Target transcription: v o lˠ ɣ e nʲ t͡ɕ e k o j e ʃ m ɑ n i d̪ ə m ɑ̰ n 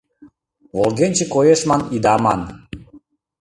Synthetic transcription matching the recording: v o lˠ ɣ e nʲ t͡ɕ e k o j e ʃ m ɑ n i d̪ ɑ m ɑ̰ n

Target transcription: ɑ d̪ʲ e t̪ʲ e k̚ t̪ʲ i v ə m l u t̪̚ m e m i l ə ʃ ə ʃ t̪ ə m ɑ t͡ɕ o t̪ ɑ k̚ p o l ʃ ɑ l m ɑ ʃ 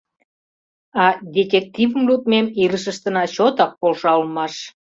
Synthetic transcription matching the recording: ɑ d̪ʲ e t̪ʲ e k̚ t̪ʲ i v ə m l u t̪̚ m e m i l ə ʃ ə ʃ t̪ ə n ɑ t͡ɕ o t̪ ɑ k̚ p o l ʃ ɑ l m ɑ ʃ

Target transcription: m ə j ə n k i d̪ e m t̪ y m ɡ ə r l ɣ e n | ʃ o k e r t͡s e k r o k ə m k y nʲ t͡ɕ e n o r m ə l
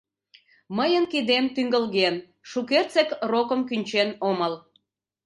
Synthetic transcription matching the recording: m ə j ə n k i d̪ e m t̪ y ŋ ɡ ə l ɣ e n | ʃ u k e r t͡s e k r o k ə m k y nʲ t͡ɕ e n o m ə l

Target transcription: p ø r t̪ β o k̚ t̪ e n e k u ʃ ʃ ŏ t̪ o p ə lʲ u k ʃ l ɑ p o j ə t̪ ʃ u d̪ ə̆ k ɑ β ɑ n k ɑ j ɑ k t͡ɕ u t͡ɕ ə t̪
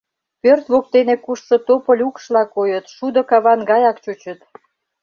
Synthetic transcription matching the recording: p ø r t̪ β o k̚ t̪ e n e k u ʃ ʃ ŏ t̪ o p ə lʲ u k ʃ l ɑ k o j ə t̪ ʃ u d̪ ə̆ k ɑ β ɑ n ɡ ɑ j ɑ k t͡ɕ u t͡ɕ ə t̪

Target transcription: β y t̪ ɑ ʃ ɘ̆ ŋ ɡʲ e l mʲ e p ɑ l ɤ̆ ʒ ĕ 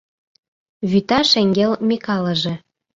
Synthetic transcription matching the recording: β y t̪ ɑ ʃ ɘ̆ ŋ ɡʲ e l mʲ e k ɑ l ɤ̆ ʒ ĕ

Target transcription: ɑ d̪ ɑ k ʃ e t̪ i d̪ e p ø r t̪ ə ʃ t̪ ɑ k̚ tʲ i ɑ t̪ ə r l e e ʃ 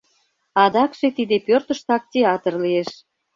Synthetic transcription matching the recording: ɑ d̪ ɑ k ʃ e t̪ i d̪ e p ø r t̪ ə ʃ t̪ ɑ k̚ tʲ e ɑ t̪ ə r l i e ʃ

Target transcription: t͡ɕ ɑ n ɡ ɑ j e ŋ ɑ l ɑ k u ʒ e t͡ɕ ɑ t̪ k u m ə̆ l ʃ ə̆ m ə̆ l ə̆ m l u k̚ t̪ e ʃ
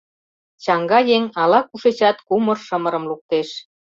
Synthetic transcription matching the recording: t͡ɕ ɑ ŋ ɡ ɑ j e ŋ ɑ l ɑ k u ʃ e t͡ɕ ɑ t̪ k u m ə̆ r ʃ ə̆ m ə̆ ɾ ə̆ m l u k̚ t̪ e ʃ

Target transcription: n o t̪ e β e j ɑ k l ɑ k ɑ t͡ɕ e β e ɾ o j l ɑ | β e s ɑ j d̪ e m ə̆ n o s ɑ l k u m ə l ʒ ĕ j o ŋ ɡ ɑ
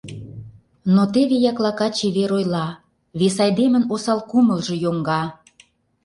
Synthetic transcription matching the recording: n o t̪ e β e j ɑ k l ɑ k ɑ t͡ɕ e β e ɾ o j l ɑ | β e s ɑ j d̪ e m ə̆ n o s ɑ l k u m ə l ʒ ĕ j o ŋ ɡ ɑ

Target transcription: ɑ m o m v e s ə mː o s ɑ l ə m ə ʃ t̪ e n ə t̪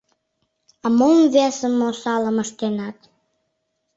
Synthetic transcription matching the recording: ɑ m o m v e s ə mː o s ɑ l ə m ə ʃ t̪ e n ɑ t̪

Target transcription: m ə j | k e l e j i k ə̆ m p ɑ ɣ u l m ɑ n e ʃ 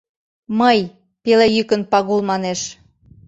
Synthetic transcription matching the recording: m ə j | p e l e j y k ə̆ n p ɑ ɣ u l m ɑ n e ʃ

